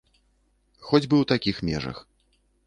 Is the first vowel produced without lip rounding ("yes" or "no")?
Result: no